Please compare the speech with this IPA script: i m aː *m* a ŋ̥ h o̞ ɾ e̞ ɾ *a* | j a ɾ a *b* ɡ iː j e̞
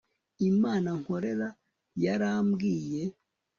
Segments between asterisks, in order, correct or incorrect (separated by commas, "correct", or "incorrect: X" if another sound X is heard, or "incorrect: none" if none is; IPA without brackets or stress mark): incorrect: n, correct, incorrect: m